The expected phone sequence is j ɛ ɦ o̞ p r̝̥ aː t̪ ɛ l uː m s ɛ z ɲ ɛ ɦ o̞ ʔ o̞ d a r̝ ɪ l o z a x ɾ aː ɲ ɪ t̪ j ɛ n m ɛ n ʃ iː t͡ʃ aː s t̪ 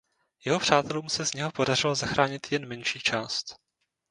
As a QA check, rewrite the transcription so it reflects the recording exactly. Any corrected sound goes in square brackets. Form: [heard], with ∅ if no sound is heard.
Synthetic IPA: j ɛ ɦ o̞ p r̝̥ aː t̪ ɛ l uː m s ɛ z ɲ ɛ ɦ o̞ [p] o̞ d a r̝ ɪ l o z a x ɾ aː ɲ ɪ t̪ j ɛ n m ɛ n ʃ iː t͡ʃ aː s t̪

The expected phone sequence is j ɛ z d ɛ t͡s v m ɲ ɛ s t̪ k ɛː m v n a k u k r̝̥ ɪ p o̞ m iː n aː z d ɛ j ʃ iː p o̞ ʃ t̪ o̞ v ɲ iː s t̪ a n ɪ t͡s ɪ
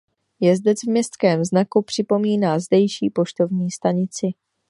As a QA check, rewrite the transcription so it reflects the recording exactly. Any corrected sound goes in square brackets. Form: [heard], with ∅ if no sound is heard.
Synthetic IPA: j ɛ z d ɛ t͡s v m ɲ ɛ s t̪ k ɛː m [z] n a k u [p] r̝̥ ɪ p o̞ m iː n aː z d ɛ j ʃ iː p o̞ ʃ t̪ o̞ v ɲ iː s t̪ a [ɲ] ɪ t͡s ɪ

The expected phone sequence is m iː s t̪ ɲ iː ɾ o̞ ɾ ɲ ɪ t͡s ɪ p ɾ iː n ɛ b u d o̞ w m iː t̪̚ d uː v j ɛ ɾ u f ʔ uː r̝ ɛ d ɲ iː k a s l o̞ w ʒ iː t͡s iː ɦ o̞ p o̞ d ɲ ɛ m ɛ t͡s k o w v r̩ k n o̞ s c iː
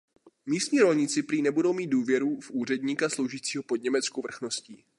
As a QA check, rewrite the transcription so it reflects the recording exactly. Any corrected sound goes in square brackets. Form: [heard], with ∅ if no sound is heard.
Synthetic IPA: m iː s t̪ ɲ iː ɾ o̞ [l] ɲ ɪ t͡s ɪ p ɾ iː n ɛ b u d o̞ w m iː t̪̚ d uː v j ɛ ɾ u f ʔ uː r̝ ɛ d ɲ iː k a s l o̞ w ʒ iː t͡s iː ɦ o̞ p o̞ d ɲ ɛ m ɛ t͡s k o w v r̩ [x] n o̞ s c iː

